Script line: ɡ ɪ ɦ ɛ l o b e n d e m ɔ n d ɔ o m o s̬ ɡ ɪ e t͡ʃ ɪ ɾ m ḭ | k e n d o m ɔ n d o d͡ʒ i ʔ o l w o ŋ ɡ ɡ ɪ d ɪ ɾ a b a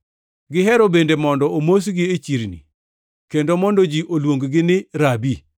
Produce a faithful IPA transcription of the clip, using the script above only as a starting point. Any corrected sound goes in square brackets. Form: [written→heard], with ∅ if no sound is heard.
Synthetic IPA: ɡ ɪ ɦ ɛ [l→ɾ] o b e n d e m ɔ n d ɔ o m o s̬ ɡ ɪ e t͡ʃ [ɪ→i] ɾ [m→n] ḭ | k e n d o m ɔ n d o d͡ʒ i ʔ o l w o ŋ ɡ ɡ ɪ [d→n] ɪ ɾ a b [a→i]